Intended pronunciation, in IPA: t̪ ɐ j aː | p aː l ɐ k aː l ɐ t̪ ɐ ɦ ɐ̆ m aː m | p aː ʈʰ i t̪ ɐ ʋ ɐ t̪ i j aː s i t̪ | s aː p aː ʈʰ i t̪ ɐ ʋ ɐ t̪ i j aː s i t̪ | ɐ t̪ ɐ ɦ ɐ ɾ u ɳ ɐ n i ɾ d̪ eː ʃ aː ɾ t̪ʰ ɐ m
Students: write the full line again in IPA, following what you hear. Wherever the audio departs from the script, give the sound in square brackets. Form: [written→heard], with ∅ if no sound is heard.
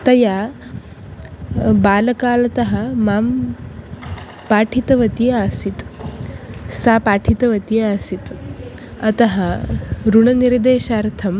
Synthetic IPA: t̪ ɐ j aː | [p→b] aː l ɐ k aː l ɐ t̪ ɐ ɦ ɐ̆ m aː m | p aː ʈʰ i t̪ ɐ ʋ ɐ t̪ i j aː s i t̪ | s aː p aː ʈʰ i t̪ ɐ ʋ ɐ t̪ i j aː s i t̪ | ɐ t̪ ɐ ɦ ɐ ɾ u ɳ ɐ n i ɾ d̪ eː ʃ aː ɾ t̪ʰ ɐ m